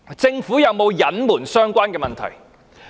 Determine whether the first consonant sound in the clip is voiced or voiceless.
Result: voiceless